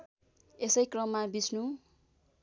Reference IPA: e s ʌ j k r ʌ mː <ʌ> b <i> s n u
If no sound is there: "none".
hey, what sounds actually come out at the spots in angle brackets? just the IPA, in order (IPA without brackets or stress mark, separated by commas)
a, i